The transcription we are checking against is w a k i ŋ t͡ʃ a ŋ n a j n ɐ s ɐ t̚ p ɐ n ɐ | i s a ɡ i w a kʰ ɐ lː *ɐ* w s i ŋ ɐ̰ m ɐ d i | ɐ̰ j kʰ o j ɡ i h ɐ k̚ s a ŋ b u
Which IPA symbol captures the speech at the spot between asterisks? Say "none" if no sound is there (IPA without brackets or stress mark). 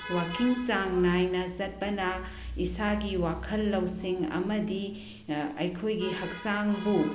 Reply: ɐ